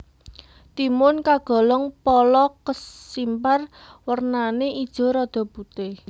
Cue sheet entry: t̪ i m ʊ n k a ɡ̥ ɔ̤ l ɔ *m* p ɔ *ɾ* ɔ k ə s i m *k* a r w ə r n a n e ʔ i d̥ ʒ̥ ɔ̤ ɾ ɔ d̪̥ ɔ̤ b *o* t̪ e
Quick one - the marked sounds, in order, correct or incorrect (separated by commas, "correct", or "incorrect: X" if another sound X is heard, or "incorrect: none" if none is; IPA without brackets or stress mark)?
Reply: incorrect: ŋ, incorrect: l, incorrect: p, incorrect: u